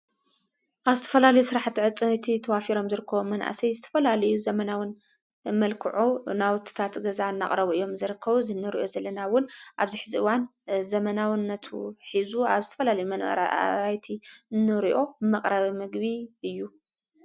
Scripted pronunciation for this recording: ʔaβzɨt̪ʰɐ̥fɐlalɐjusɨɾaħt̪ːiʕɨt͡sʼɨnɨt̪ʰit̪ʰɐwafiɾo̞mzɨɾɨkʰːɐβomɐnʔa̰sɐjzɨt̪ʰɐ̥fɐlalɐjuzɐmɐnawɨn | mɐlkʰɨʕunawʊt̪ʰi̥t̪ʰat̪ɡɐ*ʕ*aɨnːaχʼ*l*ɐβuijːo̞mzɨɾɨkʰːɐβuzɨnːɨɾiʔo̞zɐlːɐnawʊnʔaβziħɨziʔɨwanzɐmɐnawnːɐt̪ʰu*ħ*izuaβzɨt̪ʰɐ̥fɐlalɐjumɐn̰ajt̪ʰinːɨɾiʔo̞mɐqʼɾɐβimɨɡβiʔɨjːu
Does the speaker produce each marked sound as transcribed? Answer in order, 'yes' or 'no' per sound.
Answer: no, no, yes

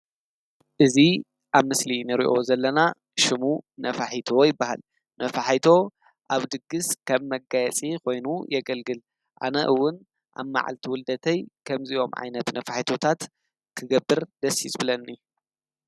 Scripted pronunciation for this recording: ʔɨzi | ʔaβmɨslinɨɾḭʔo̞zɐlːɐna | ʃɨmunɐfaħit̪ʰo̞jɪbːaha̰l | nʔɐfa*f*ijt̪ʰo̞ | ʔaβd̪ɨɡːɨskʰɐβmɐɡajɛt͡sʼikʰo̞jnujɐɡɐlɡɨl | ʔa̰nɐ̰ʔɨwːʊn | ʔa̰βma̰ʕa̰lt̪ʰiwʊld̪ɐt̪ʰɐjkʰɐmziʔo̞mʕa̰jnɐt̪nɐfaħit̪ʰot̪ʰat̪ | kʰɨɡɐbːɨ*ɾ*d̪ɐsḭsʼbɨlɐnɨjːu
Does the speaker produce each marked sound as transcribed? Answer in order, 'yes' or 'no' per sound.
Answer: no, yes

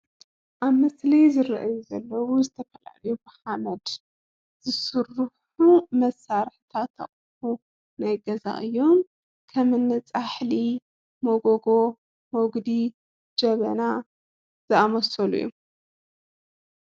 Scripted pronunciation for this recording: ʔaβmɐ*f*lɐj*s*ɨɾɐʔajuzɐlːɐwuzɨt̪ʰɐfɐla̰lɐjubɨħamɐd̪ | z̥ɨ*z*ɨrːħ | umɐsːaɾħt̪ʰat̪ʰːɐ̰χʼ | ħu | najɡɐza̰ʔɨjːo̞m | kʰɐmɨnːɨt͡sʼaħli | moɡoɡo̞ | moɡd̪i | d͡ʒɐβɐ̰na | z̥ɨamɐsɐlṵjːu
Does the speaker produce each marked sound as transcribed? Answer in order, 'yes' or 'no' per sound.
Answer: no, no, no

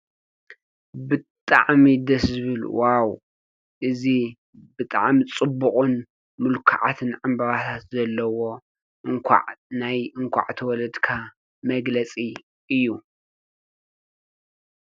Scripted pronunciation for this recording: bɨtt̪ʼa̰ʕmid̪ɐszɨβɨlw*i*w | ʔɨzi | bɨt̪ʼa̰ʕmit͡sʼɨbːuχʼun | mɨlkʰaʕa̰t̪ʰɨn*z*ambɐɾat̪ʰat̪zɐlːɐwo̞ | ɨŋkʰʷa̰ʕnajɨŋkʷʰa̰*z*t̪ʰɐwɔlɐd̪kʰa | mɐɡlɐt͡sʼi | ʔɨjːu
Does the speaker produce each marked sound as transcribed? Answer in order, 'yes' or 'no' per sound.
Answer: no, no, no

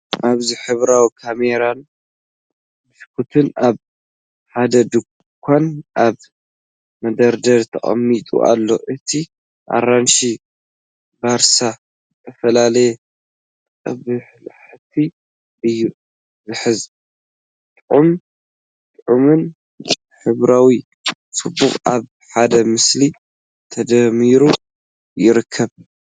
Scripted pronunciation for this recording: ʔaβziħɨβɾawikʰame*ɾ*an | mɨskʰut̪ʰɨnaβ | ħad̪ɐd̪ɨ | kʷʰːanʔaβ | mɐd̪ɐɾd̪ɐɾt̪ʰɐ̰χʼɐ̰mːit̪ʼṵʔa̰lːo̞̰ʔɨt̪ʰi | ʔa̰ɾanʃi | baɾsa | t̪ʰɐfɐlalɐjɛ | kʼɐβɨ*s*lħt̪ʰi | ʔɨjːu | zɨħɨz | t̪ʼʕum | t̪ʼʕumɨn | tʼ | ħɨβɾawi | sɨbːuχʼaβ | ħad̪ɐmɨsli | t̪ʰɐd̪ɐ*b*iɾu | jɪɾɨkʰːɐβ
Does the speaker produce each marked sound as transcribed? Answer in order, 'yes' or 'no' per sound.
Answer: yes, no, no

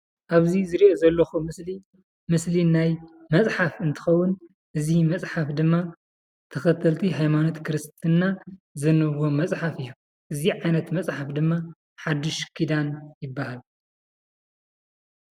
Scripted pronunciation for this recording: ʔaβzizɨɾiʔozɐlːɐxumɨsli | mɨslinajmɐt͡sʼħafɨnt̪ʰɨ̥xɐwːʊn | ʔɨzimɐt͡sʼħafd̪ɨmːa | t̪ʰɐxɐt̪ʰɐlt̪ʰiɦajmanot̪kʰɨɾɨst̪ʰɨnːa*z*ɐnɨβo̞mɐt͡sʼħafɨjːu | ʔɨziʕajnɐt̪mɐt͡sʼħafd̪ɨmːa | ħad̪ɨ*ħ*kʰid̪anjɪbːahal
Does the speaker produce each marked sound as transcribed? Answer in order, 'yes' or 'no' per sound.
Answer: yes, no

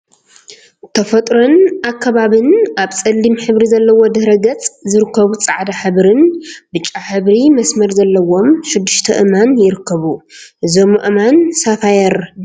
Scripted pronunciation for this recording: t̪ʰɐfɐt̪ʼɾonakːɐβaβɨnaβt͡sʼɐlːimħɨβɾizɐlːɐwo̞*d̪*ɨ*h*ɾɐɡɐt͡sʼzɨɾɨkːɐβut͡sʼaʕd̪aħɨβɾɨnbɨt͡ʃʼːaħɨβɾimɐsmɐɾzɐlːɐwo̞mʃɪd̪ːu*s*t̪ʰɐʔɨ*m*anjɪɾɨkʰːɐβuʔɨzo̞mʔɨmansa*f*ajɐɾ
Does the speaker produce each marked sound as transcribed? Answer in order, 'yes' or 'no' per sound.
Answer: yes, yes, no, yes, yes

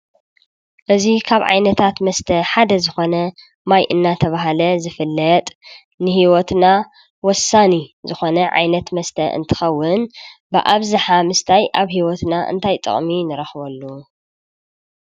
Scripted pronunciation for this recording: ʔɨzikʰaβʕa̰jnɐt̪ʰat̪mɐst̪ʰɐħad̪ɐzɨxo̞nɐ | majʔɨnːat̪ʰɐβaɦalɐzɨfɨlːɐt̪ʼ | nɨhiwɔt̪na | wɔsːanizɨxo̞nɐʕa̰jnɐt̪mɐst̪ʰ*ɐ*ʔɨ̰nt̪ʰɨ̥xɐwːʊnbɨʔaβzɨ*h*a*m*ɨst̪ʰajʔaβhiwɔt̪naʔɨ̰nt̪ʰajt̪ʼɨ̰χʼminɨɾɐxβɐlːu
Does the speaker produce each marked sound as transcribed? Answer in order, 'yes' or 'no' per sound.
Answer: yes, no, yes

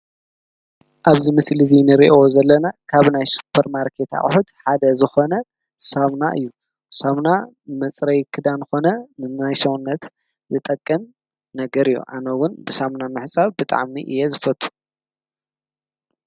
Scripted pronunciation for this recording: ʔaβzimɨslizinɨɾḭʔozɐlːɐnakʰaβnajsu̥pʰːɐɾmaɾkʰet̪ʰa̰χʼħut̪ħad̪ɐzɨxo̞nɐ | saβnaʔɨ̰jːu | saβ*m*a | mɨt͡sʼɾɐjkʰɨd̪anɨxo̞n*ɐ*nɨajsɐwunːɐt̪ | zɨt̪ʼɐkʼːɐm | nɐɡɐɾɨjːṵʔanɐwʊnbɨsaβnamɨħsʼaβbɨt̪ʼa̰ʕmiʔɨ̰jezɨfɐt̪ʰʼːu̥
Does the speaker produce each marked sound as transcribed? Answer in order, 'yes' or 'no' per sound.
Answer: no, yes

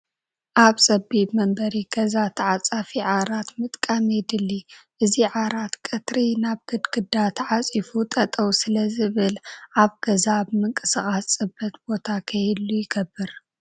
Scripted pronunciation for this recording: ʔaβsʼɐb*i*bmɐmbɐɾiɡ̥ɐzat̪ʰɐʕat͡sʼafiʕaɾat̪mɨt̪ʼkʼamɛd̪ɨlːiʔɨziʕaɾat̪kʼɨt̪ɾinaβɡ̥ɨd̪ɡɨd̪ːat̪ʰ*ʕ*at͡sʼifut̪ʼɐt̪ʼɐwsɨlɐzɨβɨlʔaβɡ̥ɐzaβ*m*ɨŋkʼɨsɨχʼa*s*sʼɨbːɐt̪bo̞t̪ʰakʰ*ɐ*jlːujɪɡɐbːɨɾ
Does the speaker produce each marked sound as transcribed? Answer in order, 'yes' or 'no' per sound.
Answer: yes, yes, yes, yes, yes

